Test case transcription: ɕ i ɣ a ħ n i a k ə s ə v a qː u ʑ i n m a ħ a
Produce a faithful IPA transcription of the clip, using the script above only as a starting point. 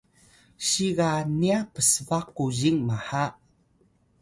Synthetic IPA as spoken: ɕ i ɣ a n i a p ə s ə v a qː u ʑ i ŋ m a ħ a